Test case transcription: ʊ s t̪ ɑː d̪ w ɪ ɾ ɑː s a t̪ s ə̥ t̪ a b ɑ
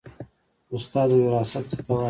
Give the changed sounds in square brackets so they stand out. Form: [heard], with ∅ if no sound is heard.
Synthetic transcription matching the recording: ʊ s t̪ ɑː d̪ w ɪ ɾ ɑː s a t̪ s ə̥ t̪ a [w] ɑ